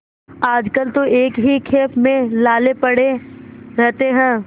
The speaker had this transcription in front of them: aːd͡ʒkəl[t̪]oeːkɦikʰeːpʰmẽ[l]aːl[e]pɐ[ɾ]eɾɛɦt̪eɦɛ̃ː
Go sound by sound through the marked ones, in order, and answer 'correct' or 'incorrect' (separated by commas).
correct, correct, correct, incorrect